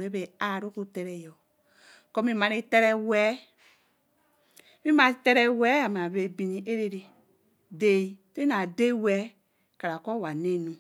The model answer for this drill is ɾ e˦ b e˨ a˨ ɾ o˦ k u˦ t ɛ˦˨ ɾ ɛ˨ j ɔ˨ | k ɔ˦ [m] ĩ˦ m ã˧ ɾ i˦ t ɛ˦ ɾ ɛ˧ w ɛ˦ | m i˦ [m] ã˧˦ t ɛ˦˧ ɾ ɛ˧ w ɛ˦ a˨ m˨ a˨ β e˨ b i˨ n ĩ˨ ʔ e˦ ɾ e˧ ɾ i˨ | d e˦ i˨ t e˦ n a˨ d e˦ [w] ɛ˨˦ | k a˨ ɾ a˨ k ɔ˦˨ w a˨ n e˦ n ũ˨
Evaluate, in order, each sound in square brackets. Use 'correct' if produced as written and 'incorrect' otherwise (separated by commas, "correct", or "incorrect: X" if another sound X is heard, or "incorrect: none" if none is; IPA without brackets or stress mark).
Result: correct, correct, correct